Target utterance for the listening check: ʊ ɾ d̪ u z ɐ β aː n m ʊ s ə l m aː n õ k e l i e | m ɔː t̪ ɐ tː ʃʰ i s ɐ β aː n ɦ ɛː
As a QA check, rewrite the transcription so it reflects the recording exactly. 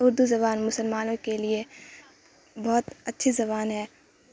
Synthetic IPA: ʊ ɾ d̪ u z ɐ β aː n m ʊ s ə l m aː n õ k e l i e | b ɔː t̪ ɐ tː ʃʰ i z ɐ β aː n ɦ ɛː